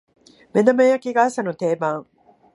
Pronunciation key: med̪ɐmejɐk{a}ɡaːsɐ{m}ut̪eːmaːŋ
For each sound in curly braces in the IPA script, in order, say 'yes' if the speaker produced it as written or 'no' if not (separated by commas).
no, no